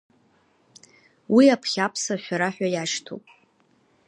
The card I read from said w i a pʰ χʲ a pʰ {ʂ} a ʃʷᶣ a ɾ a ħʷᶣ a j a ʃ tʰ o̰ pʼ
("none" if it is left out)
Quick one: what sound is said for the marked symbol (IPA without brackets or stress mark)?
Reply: s